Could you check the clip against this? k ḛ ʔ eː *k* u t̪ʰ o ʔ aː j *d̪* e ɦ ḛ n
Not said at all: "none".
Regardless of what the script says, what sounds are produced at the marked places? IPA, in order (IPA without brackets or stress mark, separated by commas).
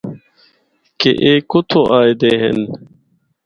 k, d̪